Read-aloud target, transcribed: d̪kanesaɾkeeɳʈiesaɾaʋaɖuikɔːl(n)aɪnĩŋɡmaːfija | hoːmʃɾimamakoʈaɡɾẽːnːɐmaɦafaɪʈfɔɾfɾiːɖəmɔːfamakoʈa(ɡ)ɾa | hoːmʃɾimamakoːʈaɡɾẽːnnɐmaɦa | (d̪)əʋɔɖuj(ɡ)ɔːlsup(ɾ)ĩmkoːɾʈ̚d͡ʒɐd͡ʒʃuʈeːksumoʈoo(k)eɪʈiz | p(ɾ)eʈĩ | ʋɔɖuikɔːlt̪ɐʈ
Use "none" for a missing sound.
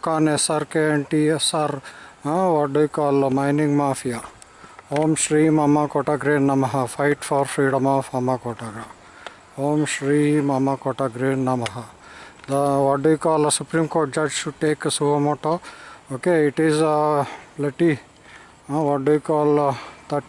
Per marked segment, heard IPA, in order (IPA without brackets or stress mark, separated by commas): m, ɡ, d̪, k, ɾ, k, l